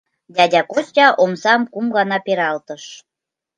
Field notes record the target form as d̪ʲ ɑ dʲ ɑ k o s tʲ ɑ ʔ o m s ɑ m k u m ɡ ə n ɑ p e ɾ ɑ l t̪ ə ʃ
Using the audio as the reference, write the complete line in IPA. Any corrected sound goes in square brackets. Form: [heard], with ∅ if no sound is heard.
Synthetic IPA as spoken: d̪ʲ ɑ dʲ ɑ k o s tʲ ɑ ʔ o m s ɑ m k u m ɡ [ɑ] n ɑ p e ɾ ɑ l t̪ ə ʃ